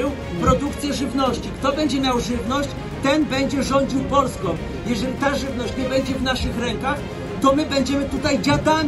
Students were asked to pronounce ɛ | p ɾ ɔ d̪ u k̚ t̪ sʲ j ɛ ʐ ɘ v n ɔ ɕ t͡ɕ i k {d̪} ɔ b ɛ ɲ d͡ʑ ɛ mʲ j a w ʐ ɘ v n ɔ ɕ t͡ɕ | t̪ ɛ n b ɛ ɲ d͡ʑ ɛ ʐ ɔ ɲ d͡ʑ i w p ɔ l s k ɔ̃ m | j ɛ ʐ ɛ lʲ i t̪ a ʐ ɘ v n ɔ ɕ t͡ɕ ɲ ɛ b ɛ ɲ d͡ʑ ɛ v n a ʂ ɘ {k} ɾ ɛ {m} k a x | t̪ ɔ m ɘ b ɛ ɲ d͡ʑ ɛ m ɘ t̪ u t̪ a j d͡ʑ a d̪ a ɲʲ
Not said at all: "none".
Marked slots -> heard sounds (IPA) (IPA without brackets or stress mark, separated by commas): t̪, x, ŋ